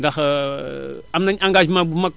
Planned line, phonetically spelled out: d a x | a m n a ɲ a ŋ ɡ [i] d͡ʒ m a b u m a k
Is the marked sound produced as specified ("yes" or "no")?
no